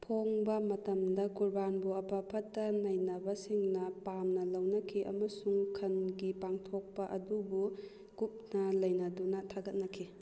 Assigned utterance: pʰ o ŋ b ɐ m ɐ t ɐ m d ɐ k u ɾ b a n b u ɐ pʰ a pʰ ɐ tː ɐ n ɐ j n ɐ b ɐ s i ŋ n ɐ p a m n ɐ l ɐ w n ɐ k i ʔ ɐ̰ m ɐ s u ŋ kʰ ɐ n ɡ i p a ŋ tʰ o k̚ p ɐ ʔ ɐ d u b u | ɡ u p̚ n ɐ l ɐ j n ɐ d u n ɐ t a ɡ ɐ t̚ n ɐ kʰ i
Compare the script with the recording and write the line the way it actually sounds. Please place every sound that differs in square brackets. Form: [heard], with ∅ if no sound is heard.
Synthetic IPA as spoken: pʰ o ŋ b ɐ m ɐ t ɐ m d ɐ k u ɾ b a n b u ɐ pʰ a pʰ ɐ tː ɐ n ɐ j n ɐ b ɐ s i ŋ n ɐ p a m n ɐ l ɐ w n ɐ [kʰ] i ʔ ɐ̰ m ɐ s u ŋ kʰ ɐ n ɡ i p a ŋ tʰ o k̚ p ɐ ʔ ɐ d u b u | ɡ u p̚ n ɐ l ɐ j n ɐ d u n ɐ [tʰ] a ɡ ɐ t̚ n ɐ kʰ i